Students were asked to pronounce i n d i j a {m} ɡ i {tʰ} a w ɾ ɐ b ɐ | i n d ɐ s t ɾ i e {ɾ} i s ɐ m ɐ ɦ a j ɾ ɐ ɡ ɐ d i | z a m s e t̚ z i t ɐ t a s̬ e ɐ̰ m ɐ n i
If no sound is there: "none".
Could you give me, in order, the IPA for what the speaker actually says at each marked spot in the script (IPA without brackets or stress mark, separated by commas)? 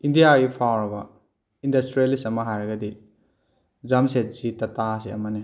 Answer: none, pʰ, l